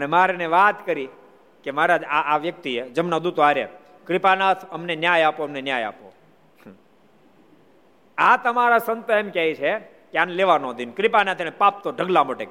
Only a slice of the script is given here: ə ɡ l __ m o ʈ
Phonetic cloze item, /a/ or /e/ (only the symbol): a